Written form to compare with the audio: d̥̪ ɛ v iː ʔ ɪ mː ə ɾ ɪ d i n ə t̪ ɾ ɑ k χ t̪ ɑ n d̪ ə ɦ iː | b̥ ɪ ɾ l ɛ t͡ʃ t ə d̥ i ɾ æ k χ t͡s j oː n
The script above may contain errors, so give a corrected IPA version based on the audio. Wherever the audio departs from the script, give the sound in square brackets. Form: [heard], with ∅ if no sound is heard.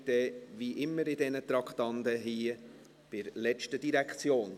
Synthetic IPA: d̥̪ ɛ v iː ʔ ɪ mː ə ɾ ɪ d [ɛ] n ə t̪ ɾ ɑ k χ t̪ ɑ n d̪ ə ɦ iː | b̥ ɪ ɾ l ɛ t͡ʃ t ə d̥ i ɾ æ k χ t͡s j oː n

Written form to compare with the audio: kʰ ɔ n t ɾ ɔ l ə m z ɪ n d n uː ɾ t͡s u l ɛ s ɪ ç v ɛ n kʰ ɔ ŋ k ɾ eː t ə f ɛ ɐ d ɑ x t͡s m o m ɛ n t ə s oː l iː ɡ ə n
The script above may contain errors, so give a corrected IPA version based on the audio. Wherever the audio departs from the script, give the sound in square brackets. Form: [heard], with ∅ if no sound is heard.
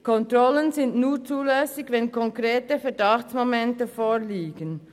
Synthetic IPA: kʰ ɔ n t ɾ ɔ l ə [n] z ɪ n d n uː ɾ t͡s [uː] l ɛ s ɪ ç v ɛ n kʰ ɔ ŋ k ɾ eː t ə f ɛ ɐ d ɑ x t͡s m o m ɛ n t ə [f] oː l iː ɡ ə n

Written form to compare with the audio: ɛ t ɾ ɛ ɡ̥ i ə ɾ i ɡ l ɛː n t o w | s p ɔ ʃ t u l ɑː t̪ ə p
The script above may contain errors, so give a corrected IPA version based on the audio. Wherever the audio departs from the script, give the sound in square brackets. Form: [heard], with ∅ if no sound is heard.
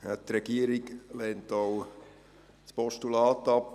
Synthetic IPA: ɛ t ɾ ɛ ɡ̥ i ə ɾ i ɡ l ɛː n t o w | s p ɔ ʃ t u l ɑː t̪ [ɑ] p

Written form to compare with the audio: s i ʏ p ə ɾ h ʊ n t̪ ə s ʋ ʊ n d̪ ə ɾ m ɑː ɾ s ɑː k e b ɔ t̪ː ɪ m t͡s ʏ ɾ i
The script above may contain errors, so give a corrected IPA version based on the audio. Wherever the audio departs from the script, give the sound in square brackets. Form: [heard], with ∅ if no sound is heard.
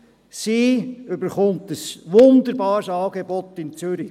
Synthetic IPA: s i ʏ [b] ə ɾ [χ] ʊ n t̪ ə s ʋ ʊ n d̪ ə ɾ [b] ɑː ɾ s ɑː [ɡ] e b ɔ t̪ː ɪ [n] t͡s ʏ ɾ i

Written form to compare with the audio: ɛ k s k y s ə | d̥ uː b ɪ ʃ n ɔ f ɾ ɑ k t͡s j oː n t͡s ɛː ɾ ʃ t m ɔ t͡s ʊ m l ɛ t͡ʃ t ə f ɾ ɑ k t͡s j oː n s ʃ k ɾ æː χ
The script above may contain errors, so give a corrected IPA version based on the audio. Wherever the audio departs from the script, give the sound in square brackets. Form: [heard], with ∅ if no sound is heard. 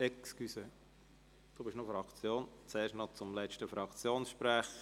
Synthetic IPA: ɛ k s k y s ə | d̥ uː b ɪ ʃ n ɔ f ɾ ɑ k t͡s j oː n t͡s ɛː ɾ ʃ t [n] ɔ t͡s ʊ m l ɛ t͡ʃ t ə f ɾ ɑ k t͡s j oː n s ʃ [p] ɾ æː χ

